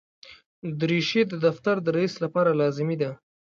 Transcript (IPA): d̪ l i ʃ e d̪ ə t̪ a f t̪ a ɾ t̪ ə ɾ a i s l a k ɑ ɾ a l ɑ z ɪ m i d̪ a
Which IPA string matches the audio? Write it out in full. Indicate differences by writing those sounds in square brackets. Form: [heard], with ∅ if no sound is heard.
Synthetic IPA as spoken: d̪ [ɾ] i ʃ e d̪ ə [d̪] a f t̪ a ɾ [d̪] ə ɾ a i s l a [p] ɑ ɾ a l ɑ z ɪ m i d̪ a